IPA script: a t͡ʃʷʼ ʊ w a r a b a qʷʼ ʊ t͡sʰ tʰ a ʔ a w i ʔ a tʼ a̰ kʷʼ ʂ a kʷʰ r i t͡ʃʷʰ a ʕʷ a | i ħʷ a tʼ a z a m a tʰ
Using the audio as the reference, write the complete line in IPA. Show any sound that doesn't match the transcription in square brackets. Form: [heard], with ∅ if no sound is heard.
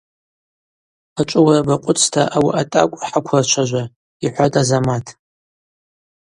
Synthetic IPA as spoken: a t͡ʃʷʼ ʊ w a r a b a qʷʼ ʊ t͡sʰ tʰ a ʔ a w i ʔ a tʼ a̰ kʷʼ [ħ] a kʷʰ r [a] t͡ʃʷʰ a [ʒʷ] a | i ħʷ a tʼ a z a m a tʰ